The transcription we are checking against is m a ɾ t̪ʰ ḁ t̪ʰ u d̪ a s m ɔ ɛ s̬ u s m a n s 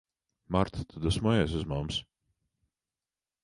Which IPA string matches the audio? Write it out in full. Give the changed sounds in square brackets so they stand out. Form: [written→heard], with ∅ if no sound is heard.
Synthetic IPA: m a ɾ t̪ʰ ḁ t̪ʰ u d̪ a s m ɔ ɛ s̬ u [s→z] m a [n→m] s